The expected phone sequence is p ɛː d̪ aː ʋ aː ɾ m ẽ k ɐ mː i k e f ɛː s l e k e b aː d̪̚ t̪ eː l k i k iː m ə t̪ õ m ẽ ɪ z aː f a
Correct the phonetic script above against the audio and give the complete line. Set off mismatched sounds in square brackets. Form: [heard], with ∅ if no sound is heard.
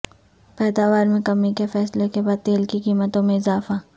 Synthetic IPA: p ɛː d̪ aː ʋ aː ɾ m ẽ k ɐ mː i k e f ɛː s l e k e b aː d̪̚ t̪ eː l k i k iː m ə t̪ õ m ẽ ɪ z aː f a